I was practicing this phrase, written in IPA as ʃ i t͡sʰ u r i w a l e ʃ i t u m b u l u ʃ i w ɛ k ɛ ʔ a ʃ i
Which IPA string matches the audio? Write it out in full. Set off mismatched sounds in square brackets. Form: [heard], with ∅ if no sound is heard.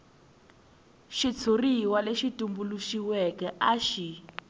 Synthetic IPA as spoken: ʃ i t͡sʰ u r i w a l e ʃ i t u m b u l u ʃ i w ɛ k ɛ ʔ a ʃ i